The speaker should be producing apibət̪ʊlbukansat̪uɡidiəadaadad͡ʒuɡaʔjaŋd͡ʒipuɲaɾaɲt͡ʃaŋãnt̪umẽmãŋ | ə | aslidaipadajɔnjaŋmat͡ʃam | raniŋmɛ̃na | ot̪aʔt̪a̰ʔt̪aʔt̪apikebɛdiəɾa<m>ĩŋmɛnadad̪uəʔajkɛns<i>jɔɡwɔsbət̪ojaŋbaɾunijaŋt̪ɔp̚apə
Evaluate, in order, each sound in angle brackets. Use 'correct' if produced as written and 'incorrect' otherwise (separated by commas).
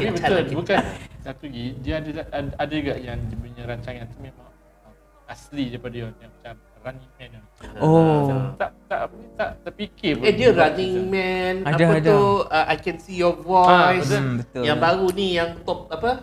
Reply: incorrect, correct